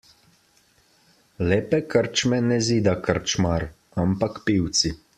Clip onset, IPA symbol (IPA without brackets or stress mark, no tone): l